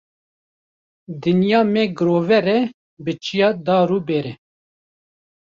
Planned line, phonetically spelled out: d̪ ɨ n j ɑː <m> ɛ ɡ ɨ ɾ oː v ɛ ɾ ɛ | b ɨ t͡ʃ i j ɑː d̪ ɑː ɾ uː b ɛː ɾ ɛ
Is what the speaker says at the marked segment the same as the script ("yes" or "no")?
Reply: yes